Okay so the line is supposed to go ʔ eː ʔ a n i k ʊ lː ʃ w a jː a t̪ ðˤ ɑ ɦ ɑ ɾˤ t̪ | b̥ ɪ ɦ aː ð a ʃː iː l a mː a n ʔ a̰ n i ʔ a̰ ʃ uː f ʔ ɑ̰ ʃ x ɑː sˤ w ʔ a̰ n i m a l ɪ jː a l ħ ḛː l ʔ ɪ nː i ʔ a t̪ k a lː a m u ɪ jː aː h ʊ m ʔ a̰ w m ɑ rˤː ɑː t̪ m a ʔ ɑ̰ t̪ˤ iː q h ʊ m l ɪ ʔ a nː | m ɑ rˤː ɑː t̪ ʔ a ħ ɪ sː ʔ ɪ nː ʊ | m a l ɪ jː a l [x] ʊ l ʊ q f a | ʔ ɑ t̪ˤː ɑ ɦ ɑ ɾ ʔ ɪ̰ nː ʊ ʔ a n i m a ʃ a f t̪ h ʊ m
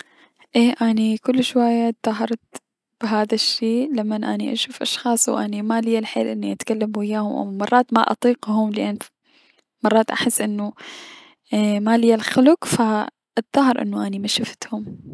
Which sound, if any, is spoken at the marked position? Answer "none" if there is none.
x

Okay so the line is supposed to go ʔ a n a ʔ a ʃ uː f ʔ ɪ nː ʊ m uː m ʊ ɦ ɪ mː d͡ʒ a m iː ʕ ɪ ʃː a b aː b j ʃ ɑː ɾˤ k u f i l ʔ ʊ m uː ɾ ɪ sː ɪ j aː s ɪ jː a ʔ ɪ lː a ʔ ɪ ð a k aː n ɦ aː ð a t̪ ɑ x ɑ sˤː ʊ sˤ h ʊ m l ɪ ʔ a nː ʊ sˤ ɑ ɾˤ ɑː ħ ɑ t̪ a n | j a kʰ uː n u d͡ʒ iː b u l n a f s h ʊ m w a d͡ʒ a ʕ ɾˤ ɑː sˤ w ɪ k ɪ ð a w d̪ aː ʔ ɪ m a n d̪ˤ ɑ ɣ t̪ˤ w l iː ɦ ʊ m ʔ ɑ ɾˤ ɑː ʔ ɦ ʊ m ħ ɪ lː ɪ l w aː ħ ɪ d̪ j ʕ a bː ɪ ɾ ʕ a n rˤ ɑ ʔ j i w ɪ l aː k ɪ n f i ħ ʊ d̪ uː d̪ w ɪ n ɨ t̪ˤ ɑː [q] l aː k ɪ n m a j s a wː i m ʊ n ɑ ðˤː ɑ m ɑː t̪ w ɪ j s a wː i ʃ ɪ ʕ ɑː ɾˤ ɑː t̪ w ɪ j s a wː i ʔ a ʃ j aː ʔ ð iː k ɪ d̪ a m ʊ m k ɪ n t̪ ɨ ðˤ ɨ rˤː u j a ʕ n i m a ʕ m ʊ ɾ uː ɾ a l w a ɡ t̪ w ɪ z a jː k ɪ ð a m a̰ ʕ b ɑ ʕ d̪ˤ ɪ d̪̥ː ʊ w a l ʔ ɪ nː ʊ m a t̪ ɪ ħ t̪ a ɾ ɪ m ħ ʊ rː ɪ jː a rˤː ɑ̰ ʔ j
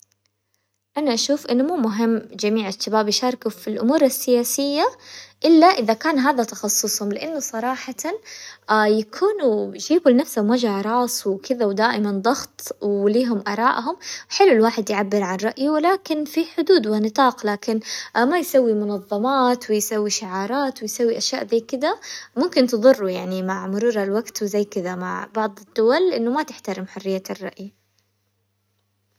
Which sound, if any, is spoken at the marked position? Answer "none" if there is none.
q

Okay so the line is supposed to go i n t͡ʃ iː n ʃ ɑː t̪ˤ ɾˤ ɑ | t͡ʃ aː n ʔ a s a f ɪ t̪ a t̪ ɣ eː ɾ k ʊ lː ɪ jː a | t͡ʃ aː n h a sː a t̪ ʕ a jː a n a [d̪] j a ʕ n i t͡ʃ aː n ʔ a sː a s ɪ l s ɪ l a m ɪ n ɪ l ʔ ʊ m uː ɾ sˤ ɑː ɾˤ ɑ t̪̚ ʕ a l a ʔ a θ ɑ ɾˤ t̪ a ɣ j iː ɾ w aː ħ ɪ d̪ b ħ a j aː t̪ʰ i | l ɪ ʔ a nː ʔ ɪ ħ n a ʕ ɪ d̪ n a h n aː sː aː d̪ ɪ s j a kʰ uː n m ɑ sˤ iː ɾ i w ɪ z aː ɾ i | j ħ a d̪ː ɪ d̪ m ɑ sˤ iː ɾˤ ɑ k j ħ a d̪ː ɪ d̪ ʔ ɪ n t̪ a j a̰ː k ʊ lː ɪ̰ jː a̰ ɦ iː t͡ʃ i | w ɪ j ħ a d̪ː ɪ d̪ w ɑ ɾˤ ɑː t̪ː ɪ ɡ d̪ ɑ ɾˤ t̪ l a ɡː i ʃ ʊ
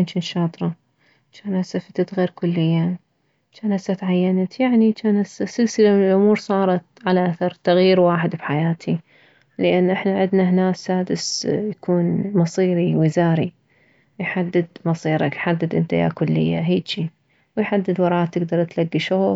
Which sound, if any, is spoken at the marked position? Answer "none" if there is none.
t̪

